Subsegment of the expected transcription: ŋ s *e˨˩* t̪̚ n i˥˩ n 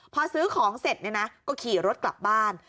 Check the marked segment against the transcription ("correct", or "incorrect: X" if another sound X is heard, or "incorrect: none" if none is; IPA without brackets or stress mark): correct